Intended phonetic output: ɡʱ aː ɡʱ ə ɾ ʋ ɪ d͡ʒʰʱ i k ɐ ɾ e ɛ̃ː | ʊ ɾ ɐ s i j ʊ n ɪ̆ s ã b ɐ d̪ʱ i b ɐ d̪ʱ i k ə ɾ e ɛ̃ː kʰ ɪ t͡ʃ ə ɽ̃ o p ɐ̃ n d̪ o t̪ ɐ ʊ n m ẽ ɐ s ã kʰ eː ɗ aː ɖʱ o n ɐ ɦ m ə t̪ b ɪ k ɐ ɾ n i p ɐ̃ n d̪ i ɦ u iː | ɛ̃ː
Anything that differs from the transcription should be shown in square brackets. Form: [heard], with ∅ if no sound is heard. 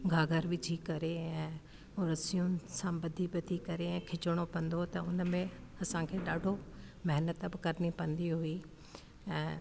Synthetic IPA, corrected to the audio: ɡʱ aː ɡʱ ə ɾ ʋ ɪ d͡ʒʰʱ i k ɐ ɾ e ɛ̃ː | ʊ ɾ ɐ s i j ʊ n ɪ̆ s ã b ɐ d̪ʱ i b ɐ d̪ʱ i k [ɐ] ɾ e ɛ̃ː kʰ ɪ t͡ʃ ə ɽ̃ o p ɐ̃ n d̪ o t̪ ɐ ʊ n m ẽ ɐ s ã kʰ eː ɗ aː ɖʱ o [m] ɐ ɦ [n] ə t̪ b ɪ k ɐ ɾ n i p ɐ̃ n d̪ i ɦ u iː | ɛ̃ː